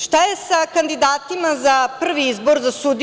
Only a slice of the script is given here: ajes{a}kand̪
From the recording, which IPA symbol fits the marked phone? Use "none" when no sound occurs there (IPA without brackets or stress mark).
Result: a